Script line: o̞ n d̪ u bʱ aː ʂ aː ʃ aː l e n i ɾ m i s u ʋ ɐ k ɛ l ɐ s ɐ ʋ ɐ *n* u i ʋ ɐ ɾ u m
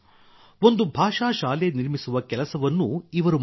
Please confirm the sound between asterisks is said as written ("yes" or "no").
no